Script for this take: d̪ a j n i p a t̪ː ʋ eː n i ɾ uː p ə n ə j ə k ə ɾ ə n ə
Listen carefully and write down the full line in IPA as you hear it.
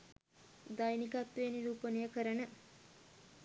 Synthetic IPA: d̪ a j n i k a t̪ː ʋ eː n i ɾ uː p ə n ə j ə k ə ɾ ə n ə